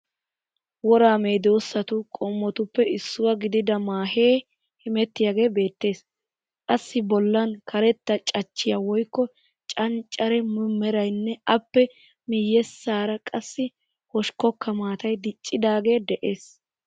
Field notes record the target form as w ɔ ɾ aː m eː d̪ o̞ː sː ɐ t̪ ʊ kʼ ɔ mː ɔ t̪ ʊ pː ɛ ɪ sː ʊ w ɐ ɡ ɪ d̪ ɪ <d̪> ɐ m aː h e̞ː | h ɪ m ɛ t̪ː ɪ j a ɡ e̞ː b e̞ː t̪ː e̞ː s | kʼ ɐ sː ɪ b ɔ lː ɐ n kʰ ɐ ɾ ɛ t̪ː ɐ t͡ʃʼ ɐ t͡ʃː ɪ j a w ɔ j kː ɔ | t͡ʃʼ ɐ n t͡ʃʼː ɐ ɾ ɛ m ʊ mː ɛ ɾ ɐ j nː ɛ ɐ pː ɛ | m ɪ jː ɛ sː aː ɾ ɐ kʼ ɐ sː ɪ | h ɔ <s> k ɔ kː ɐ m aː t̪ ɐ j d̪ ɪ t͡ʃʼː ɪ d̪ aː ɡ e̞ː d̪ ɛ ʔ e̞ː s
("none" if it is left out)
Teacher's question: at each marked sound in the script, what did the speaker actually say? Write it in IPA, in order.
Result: d̪, ʃ

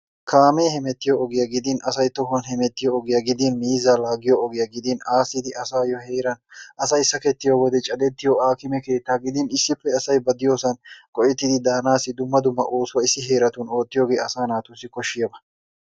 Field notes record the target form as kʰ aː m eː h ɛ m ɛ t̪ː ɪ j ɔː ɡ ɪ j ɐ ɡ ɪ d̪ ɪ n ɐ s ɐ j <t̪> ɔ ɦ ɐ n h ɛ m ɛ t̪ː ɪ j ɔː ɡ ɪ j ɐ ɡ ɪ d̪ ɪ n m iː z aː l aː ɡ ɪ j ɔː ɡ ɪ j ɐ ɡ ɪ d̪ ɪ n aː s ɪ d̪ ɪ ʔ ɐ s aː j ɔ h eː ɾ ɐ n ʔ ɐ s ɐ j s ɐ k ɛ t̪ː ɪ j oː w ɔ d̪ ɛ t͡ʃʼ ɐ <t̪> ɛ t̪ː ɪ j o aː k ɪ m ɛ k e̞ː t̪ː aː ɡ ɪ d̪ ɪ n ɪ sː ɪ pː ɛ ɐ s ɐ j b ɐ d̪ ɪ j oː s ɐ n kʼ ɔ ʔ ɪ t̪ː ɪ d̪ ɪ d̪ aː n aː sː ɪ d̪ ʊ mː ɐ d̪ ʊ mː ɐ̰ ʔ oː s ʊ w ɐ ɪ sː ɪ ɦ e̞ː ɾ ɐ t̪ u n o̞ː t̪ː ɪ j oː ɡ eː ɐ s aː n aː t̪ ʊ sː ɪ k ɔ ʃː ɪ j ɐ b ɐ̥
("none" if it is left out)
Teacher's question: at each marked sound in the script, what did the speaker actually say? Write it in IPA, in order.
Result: t̪, d̪

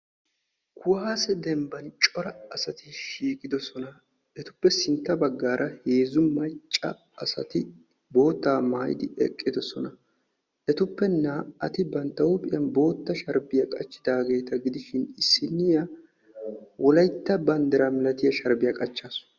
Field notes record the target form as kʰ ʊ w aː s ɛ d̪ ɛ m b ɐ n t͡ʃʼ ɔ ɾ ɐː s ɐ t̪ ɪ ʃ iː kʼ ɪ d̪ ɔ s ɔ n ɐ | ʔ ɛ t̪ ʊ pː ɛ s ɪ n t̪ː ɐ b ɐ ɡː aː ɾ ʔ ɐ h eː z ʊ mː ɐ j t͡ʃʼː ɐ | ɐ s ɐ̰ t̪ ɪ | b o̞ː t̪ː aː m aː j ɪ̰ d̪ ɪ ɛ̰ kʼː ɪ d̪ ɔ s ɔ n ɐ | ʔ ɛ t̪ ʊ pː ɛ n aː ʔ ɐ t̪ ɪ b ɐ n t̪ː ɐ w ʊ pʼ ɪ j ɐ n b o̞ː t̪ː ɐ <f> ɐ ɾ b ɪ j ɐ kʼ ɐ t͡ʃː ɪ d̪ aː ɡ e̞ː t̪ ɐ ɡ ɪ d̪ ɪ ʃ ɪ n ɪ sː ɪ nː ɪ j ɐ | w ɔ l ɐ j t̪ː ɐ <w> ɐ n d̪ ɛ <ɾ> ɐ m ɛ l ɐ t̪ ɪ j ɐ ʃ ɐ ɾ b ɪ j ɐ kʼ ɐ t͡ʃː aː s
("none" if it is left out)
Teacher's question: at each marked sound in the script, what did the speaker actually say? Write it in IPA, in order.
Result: ʃ, b, ɾ

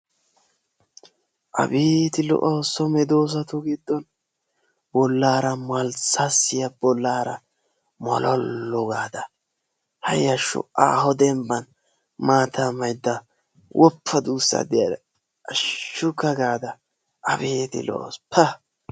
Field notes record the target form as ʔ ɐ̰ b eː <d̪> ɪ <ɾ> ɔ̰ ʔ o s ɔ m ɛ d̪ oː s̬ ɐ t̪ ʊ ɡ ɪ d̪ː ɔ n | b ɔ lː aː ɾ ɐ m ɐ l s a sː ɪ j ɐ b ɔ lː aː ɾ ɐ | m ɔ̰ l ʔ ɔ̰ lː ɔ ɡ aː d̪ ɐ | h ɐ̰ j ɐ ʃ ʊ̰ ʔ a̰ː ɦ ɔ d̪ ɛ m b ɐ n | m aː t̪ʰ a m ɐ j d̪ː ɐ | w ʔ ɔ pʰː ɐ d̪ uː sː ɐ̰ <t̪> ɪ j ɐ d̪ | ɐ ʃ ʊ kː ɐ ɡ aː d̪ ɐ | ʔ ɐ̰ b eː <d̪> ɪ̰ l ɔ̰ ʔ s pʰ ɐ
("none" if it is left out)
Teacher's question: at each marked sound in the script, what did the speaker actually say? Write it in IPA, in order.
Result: t̪, l, d̪, t̪

